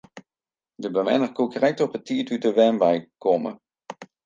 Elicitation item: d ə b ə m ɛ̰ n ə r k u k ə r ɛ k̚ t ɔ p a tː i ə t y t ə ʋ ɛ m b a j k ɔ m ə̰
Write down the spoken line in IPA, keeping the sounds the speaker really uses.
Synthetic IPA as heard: d ə b ə m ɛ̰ n ə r k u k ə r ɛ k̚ t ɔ p ə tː i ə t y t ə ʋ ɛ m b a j k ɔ m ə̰